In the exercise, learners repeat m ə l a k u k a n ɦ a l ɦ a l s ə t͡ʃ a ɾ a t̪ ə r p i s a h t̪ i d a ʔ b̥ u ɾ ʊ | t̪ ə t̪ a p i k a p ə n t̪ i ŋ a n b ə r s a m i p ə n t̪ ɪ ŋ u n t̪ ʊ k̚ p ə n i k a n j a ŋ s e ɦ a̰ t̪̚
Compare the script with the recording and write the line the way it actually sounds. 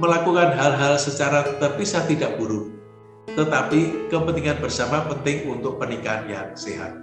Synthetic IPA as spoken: m ə l a k u k a n ɦ a l ɦ a l s ə t͡ʃ a ɾ a t̪ ə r p i s a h t̪ i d a ʔ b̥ u ɾ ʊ | t̪ ə t̪ a p i k ə p ə n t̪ i ŋ a n b ə r s a m a p ə n t̪ ɪ ŋ u n t̪ ʊ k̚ p ə n i k a n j a ŋ s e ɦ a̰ t̪̚